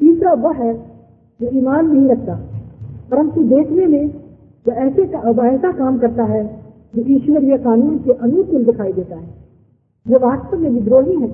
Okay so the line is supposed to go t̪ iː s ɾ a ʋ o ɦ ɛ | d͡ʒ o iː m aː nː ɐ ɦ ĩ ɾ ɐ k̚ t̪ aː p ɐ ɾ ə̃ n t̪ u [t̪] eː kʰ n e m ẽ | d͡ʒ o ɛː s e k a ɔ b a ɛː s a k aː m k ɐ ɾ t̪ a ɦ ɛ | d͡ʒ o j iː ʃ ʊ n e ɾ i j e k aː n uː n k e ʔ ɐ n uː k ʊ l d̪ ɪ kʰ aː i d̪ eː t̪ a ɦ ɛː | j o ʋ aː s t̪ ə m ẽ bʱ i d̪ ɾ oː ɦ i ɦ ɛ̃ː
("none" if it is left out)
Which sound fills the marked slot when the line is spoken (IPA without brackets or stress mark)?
d̪